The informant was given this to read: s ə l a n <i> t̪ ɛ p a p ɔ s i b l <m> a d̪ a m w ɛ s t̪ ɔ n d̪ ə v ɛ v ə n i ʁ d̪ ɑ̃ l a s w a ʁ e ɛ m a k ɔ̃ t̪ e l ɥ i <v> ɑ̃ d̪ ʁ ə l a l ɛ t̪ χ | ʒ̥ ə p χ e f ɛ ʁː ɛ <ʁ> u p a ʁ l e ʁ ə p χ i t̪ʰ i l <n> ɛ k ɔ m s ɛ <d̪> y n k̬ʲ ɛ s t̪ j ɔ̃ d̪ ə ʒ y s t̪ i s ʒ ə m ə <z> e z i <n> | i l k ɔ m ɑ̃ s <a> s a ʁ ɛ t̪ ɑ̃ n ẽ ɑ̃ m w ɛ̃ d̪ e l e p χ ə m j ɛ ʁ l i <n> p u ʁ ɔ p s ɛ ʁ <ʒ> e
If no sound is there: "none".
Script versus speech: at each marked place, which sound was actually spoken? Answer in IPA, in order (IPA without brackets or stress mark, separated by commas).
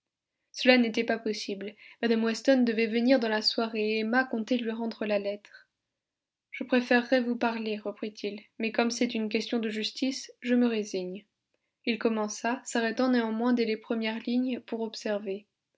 e, m, ʁ, v, m, t̪, ʁ, ɲ, a, ɲ, v